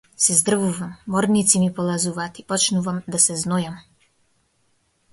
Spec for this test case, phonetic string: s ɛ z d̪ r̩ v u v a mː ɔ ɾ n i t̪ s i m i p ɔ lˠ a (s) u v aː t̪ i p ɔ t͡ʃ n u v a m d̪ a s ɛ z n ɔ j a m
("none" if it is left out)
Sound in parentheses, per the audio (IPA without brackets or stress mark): z